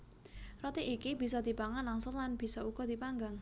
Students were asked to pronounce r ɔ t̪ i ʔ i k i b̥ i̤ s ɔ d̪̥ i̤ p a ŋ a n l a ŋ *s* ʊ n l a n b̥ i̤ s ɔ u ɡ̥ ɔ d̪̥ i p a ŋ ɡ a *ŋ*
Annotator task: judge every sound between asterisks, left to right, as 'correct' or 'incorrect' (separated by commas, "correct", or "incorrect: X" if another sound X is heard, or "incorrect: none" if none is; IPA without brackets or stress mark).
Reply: correct, correct